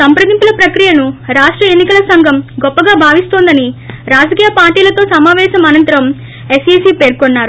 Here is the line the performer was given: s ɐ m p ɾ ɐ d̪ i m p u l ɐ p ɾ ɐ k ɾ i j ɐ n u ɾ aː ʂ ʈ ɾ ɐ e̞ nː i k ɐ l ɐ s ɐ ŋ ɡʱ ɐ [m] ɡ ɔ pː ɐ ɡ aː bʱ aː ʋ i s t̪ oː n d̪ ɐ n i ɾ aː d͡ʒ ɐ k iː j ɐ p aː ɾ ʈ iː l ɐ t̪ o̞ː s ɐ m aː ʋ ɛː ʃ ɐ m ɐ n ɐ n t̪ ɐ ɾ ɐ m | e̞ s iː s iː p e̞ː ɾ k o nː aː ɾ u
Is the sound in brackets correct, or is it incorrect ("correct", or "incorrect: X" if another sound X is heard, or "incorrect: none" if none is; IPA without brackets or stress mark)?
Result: correct